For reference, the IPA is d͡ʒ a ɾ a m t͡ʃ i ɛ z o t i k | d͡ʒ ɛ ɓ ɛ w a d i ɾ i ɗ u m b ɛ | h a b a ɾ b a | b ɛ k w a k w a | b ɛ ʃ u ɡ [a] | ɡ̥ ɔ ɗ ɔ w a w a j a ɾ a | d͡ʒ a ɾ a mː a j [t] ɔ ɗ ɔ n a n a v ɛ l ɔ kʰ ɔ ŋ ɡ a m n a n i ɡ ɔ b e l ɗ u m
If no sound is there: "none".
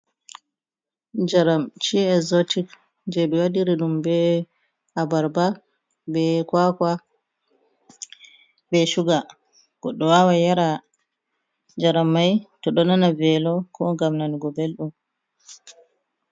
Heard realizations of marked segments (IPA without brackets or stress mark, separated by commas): a, t